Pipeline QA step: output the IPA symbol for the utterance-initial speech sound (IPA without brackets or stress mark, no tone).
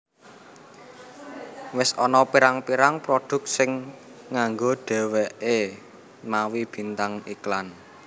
w